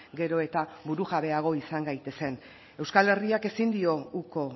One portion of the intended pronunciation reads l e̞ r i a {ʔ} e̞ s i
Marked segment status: incorrect: k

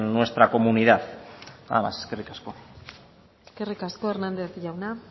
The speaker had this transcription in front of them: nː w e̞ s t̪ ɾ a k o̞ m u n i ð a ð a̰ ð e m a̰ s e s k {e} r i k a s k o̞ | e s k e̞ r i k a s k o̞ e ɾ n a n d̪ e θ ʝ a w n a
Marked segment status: correct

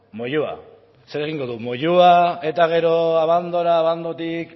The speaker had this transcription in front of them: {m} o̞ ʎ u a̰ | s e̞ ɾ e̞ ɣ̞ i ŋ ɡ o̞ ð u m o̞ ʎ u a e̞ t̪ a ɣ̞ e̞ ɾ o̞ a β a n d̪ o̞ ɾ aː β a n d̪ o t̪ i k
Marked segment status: correct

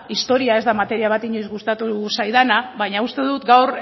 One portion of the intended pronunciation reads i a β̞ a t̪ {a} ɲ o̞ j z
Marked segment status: incorrect: i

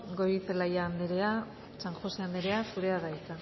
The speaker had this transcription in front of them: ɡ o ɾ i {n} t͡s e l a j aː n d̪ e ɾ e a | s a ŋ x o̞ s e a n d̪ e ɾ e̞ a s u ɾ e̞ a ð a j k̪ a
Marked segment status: incorrect: none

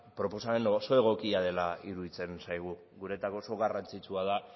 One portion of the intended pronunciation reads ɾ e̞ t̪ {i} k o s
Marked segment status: incorrect: a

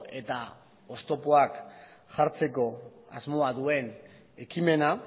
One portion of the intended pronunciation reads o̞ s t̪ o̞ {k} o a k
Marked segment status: incorrect: p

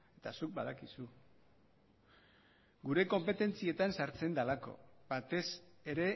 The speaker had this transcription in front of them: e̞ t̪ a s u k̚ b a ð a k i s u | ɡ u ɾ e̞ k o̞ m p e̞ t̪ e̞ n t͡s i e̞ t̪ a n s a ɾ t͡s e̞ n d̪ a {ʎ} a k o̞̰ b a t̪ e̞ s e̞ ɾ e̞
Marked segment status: incorrect: l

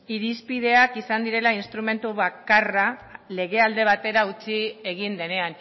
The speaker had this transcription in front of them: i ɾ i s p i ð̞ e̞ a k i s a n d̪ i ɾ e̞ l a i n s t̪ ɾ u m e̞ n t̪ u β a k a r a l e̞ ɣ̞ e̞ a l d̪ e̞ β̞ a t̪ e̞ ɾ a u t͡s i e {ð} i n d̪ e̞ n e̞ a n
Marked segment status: incorrect: ɣ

